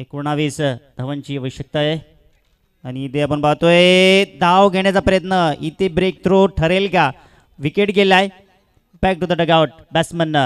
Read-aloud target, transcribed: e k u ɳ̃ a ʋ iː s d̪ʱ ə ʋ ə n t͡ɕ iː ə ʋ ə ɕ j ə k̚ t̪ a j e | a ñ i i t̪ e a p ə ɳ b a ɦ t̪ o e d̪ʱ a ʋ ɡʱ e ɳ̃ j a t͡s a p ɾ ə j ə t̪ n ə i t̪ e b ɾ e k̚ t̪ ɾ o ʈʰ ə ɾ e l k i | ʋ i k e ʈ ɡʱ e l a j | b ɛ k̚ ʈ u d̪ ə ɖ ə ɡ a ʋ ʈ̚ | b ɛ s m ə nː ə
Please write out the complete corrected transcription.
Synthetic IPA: e k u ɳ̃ a ʋ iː s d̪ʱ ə ʋ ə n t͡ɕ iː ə ʋ ə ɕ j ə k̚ t̪ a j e | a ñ i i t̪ e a p ə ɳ b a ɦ t̪ o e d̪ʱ a ʋ ɡʱ e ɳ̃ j a t͡s a p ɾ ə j ə t̪ n ə i t̪ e b ɾ e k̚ t̪ ɾ o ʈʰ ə ɾ e l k a | ʋ i k e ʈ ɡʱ e l a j | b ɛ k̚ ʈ u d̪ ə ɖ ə ɡ a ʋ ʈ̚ | b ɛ s m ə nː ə